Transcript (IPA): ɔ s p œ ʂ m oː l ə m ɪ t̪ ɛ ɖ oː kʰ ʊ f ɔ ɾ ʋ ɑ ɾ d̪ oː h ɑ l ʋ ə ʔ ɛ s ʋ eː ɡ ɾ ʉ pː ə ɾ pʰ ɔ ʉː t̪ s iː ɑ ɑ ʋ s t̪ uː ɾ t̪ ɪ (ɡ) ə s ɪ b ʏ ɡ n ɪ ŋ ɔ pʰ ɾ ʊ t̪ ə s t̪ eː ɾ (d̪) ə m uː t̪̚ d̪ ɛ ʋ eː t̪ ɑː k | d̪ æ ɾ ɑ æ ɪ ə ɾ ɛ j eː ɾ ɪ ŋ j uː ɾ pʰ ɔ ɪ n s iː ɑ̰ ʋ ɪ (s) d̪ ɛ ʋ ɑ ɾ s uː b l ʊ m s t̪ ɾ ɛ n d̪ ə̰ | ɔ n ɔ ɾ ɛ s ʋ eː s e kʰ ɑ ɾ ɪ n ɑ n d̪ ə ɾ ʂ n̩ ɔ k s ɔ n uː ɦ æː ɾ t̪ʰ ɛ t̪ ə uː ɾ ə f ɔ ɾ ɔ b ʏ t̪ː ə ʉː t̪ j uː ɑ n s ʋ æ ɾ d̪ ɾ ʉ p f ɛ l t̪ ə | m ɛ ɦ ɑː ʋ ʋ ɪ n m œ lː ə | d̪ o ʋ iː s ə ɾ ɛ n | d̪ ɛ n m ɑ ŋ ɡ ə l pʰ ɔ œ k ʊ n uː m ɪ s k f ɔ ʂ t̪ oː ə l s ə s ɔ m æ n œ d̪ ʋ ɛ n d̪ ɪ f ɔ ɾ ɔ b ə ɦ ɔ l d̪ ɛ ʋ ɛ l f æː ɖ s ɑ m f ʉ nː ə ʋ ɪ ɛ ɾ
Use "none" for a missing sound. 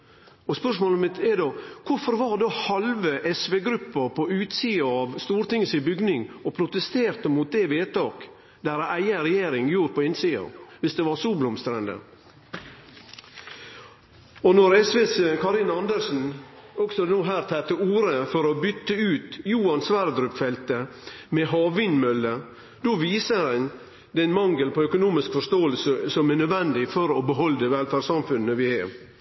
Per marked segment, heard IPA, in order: ŋ, t̪, s

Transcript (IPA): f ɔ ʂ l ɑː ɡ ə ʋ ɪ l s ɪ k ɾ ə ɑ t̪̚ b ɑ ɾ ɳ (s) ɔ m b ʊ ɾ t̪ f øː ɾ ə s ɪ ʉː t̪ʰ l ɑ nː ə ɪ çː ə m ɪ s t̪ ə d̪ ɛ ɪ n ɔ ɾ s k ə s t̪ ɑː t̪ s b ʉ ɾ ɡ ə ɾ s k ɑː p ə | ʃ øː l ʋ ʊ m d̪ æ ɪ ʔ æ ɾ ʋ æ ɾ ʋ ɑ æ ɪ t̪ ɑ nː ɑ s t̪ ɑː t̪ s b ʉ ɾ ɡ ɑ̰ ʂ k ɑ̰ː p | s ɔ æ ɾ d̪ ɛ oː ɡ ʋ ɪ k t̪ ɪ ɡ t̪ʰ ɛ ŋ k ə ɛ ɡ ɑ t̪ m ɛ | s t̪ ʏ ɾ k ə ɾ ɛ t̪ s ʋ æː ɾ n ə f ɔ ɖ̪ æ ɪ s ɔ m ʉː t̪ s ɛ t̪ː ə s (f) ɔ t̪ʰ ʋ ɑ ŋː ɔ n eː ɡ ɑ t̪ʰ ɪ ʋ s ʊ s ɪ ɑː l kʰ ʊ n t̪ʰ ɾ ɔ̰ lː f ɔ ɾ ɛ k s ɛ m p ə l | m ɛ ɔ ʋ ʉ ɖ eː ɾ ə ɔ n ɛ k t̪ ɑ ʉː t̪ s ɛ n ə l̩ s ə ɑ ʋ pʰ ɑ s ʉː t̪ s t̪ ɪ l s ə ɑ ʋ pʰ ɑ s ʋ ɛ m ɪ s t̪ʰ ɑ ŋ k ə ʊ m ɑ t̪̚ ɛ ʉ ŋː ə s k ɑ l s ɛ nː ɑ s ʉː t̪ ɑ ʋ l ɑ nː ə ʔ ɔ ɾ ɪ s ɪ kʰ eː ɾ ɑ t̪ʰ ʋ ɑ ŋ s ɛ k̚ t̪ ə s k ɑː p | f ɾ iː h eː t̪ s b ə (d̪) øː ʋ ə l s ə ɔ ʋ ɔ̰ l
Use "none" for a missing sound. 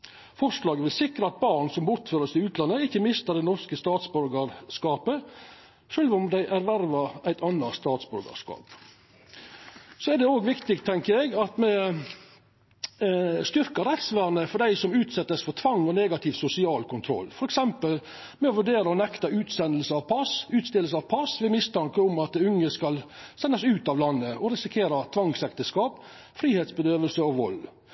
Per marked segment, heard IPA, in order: s, f, d̪

